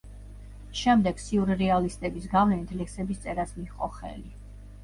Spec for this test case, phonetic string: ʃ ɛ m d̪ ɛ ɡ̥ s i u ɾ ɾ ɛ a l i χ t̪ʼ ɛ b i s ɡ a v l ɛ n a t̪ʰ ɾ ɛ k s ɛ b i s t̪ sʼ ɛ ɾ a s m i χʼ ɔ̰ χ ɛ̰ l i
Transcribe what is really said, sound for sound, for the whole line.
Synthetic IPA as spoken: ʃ ɛ m d̪ ɛ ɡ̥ s i u ɾ ɾ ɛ a l i s t̪ʼ ɛ b i s ɡ a v l ɛ n i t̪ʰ l ɛ k s ɛ b i s t̪ sʼ ɛ ɾ a s m i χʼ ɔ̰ χ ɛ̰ l i